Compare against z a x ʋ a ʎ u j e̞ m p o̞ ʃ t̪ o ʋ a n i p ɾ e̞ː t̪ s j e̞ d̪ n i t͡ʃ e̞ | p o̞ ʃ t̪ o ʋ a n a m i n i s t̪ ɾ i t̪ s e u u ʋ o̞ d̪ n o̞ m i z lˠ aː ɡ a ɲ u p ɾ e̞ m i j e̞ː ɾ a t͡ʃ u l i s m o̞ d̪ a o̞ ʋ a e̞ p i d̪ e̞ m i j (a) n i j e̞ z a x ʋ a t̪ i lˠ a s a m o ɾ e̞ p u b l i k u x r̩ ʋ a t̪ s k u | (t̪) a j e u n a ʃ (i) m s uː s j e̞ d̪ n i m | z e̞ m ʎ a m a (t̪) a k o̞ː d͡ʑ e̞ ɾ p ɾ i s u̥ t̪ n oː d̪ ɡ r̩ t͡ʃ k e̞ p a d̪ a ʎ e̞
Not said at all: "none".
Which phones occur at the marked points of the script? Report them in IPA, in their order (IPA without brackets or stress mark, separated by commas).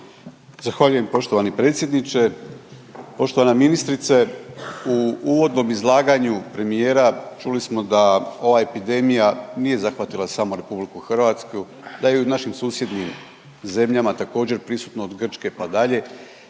a, d̪, i, t̪